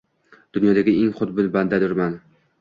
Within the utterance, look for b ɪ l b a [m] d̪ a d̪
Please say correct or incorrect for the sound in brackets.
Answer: incorrect